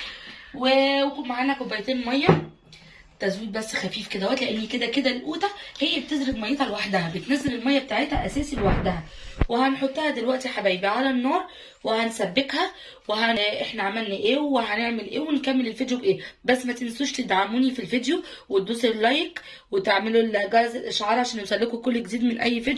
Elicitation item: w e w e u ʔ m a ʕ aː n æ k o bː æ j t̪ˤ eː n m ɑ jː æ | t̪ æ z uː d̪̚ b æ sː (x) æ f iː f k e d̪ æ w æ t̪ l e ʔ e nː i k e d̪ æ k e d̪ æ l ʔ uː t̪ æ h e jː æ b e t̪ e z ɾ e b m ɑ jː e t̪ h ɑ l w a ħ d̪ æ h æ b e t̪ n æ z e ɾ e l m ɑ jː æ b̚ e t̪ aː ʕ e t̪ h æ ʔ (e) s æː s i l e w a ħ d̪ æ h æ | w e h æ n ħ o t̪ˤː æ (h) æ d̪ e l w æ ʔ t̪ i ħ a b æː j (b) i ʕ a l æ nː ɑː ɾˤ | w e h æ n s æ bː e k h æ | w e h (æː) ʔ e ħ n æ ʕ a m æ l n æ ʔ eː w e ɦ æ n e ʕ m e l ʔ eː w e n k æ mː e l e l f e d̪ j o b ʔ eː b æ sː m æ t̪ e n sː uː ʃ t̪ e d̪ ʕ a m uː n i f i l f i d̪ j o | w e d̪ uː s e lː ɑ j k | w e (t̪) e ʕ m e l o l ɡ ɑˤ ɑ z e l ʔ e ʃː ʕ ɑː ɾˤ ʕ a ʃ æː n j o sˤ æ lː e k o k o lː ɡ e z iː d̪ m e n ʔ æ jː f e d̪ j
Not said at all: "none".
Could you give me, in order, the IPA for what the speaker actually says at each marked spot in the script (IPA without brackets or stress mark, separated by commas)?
x, æ, h, b, æ, t̪